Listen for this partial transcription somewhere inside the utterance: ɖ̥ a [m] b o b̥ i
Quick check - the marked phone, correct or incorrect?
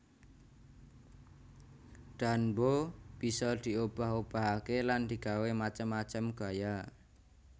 incorrect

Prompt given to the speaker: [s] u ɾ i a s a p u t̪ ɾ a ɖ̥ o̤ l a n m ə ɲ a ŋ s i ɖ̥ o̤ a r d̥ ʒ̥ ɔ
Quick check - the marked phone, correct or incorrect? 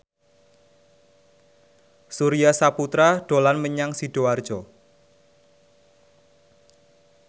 correct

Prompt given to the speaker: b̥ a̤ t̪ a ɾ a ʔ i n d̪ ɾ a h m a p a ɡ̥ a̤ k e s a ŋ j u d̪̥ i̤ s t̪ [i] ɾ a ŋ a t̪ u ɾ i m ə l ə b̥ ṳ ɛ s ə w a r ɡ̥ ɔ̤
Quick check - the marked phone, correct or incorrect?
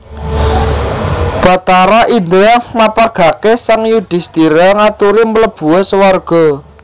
correct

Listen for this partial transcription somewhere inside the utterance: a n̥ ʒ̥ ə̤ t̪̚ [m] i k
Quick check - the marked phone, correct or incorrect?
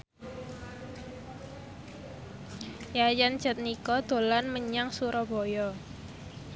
incorrect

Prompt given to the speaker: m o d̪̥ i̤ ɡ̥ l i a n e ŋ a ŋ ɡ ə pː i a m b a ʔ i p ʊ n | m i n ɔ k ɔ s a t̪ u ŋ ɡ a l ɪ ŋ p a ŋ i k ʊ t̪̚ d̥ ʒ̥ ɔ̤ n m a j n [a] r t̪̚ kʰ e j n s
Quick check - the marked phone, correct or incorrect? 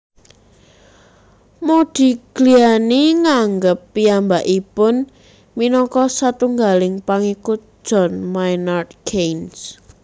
correct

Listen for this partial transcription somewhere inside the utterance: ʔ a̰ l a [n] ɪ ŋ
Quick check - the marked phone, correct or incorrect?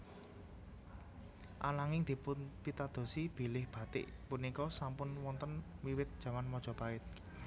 incorrect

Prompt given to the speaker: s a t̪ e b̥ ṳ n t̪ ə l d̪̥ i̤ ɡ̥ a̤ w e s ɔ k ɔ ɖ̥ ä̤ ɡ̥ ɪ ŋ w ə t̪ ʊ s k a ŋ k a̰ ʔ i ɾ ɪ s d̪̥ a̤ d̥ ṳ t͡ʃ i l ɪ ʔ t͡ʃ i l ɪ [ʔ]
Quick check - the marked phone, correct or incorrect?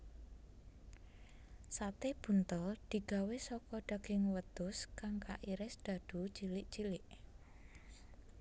correct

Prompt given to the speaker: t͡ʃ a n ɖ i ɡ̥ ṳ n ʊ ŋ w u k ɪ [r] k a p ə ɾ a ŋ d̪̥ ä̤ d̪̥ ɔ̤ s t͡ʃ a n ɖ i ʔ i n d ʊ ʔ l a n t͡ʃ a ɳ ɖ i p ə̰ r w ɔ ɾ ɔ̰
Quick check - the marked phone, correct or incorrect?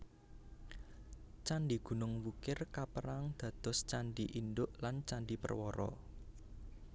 correct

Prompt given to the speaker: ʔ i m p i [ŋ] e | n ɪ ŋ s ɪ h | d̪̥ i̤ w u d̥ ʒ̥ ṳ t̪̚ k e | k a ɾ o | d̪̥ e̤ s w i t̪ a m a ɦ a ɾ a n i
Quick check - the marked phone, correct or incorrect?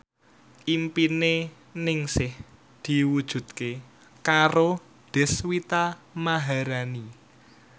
incorrect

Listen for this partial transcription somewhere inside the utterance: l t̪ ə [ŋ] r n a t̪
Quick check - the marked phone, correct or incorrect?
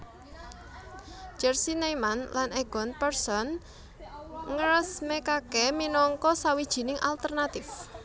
incorrect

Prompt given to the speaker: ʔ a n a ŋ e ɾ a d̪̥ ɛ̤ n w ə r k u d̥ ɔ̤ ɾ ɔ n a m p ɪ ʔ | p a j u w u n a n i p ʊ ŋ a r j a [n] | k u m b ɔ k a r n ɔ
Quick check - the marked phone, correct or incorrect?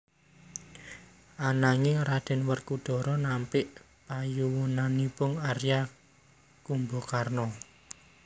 incorrect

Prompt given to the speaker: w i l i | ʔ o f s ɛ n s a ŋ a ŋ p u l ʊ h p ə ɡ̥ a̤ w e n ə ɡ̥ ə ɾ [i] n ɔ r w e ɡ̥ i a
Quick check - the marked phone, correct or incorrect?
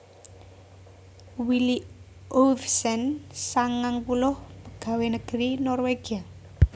correct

